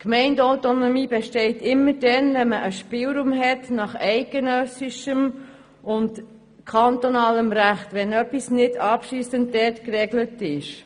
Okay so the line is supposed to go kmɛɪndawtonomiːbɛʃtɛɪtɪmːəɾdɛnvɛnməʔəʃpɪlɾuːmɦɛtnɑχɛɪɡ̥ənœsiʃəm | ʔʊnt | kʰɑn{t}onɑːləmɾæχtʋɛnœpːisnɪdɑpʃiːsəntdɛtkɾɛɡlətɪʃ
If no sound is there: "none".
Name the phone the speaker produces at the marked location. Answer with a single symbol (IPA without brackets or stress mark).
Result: t